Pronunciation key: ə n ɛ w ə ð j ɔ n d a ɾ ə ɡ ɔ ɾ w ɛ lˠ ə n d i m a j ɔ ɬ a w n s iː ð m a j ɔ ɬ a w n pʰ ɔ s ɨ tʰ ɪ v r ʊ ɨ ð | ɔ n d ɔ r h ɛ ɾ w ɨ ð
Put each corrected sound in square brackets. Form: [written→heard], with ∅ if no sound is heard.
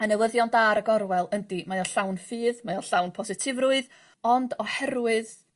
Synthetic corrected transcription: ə n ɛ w ə ð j ɔ n d a ɾ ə ɡ ɔ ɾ w ɛ lˠ ə n d i m a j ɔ ɬ a w n [s→f] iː ð m a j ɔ ɬ a w n pʰ ɔ s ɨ tʰ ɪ v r ʊ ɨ ð | ɔ n d ɔ [r→∅] h ɛ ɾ w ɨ ð